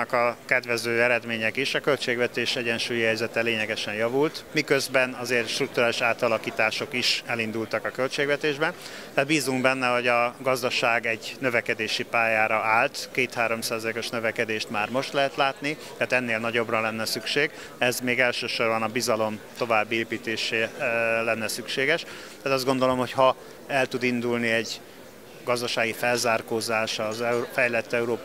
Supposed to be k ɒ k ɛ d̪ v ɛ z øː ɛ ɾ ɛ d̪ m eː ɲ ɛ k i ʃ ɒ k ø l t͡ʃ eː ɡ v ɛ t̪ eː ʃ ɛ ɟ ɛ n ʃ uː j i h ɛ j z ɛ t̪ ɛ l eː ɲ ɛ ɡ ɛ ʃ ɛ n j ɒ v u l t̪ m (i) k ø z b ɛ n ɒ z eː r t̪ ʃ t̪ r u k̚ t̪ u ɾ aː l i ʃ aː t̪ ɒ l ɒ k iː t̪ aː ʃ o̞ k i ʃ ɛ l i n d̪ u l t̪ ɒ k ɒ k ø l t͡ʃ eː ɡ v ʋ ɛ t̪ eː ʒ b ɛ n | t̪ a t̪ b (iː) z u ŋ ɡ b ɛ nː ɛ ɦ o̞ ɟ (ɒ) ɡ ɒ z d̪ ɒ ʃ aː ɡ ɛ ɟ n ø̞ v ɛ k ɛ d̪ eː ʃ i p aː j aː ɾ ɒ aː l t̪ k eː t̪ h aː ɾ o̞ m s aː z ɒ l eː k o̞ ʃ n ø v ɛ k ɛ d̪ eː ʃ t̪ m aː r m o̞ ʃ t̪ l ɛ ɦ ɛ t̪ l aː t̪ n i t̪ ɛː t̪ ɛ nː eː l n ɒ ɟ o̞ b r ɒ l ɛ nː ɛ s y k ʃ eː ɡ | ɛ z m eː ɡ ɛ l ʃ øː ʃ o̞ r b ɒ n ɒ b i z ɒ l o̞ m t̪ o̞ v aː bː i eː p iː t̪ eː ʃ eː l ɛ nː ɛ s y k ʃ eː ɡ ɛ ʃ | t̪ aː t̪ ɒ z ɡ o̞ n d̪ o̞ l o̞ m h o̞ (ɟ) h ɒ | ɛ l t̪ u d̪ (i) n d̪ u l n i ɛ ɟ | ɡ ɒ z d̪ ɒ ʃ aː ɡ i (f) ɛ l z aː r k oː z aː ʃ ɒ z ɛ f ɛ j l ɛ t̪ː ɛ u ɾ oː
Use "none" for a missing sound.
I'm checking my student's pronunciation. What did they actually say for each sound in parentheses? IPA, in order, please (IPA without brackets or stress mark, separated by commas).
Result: i, iː, ɒ, c, i, f